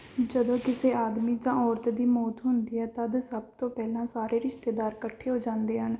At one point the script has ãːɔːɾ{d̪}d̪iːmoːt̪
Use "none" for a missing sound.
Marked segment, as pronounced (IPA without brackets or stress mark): t̪